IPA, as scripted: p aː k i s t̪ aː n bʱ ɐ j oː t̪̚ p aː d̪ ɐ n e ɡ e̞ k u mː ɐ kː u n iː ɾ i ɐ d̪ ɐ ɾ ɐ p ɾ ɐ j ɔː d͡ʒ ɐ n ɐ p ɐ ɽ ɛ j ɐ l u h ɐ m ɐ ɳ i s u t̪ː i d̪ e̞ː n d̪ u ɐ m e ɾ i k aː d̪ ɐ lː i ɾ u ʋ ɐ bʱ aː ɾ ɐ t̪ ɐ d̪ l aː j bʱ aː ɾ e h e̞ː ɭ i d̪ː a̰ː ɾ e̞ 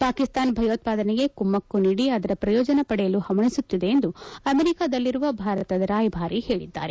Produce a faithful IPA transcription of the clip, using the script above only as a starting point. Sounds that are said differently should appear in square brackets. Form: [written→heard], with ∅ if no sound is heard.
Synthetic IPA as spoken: p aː k i s t̪ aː n bʱ ɐ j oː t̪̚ p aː d̪ ɐ n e ɡ e̞ k u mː ɐ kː u n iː [ɾ→ɽ] i ɐ d̪ ɐ ɾ ɐ p ɾ ɐ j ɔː d͡ʒ ɐ n ɐ p ɐ ɽ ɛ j ɐ l u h ɐ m ɐ ɳ i s u t̪ː i d̪ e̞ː n d̪ u ɐ m e ɾ i k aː d̪ ɐ lː i ɾ u ʋ ɐ bʱ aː ɾ ɐ t̪ ɐ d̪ [l→ɾ] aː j bʱ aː ɾ [e→i] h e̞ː ɭ i d̪ː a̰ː ɾ e̞